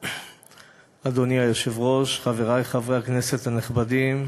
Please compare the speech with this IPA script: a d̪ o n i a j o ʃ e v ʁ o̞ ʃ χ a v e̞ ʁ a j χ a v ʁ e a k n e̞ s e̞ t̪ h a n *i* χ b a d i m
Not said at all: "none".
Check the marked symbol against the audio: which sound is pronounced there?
e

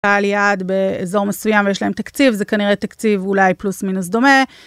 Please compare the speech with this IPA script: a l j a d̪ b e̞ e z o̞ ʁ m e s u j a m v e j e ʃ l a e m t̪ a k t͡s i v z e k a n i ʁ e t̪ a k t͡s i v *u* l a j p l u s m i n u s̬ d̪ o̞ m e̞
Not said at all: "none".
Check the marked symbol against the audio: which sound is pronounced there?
u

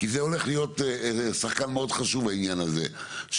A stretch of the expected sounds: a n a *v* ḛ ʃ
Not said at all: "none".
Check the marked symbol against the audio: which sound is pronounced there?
z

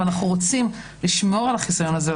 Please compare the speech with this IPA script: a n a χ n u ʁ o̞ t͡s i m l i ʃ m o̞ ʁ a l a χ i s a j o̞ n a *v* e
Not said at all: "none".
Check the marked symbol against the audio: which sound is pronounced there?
z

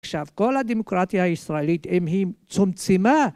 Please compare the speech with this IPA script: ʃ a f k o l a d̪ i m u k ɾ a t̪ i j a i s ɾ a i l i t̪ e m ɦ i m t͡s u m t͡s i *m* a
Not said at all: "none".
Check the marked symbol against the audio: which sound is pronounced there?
m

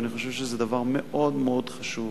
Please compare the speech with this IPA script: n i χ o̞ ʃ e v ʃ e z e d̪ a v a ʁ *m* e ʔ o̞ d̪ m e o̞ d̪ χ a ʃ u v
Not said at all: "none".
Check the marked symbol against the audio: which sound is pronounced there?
m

